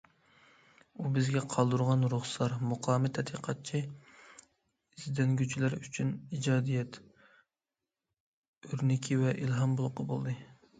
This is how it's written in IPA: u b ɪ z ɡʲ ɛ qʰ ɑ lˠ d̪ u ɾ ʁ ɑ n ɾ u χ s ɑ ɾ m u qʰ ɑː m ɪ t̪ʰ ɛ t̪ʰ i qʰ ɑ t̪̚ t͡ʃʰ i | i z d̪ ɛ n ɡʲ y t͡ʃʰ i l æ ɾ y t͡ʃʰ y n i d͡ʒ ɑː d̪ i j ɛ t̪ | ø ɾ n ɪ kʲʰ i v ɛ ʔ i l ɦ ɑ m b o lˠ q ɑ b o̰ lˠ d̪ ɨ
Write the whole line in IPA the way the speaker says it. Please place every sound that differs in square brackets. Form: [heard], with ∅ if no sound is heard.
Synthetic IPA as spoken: u b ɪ z ɡʲ ɛ qʰ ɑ lˠ d̪ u ɾ ʁ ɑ n ɾ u χ s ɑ ɾ m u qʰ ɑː m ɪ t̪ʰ ɛ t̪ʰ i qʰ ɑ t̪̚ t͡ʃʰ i | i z d̪ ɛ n ɡʲ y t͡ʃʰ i l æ ɾ y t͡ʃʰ y n i d͡ʒ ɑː d̪ i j ɛ t̪ | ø ɾ n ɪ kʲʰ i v ɛ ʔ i l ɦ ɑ m b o lˠ q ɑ b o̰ lˠ d̪ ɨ